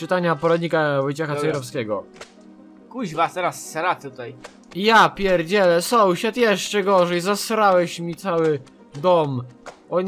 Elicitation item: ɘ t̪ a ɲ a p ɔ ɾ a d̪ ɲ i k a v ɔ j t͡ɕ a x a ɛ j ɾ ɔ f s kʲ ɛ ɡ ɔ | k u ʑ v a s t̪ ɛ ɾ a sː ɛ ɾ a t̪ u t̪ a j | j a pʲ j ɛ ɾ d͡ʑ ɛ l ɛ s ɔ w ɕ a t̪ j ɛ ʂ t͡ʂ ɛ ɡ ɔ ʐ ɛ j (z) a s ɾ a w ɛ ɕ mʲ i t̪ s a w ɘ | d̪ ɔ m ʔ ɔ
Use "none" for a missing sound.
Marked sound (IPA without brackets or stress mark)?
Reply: z